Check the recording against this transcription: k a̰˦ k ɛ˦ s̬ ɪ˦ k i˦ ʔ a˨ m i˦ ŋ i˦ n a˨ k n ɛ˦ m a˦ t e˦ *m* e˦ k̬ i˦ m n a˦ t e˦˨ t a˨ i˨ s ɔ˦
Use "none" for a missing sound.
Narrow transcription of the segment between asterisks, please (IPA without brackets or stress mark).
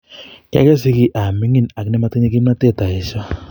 ɲ